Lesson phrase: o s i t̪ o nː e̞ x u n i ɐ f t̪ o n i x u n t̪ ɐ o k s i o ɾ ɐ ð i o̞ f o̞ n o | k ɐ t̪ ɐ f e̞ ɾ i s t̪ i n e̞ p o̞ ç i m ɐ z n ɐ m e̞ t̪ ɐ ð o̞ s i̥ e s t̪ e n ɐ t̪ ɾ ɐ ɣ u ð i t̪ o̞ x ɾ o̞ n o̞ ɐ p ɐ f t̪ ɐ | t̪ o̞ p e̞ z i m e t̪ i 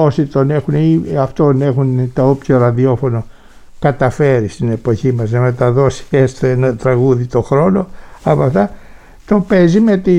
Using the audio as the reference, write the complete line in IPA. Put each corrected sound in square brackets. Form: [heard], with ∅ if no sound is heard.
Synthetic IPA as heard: o s i t̪ o [n] e̞ x u n i ɐ f t̪ o n [e] x u n t̪ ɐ o [p] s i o ɾ ɐ ð i o̞ f o̞ n o | k ɐ t̪ ɐ f e̞ ɾ i s t̪ i n e̞ p o̞ ç i m ɐ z n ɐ m e̞ t̪ ɐ ð o̞ s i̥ e s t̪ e n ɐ t̪ ɾ ɐ ɣ u ð i t̪ o̞ x ɾ o̞ n o̞ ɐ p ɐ f t̪ ɐ | t̪ o̞ p e̞ z i m e t̪ i